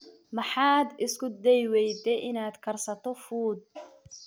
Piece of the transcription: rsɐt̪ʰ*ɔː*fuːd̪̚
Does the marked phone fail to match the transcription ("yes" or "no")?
yes